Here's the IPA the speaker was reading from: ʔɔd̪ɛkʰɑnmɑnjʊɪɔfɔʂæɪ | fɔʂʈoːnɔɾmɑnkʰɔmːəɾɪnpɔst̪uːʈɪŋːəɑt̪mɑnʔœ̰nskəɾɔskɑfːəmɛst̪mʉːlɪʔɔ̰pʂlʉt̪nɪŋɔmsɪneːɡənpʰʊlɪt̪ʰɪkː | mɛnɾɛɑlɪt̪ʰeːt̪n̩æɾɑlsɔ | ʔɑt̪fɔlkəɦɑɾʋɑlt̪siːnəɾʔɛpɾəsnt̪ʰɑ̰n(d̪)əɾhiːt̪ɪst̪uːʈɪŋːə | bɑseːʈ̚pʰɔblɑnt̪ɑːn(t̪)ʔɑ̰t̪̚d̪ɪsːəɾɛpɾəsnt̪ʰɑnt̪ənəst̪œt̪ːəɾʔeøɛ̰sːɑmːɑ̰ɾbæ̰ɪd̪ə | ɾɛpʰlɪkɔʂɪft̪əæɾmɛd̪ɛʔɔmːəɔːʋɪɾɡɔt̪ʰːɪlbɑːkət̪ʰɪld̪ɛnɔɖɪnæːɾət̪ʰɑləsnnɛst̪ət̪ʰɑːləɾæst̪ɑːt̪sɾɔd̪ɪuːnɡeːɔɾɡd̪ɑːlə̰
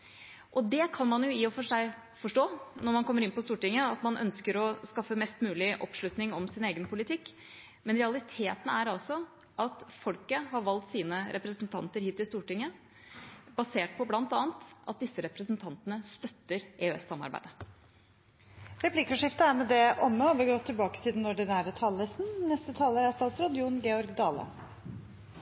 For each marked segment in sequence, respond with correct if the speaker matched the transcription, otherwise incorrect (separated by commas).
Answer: incorrect, correct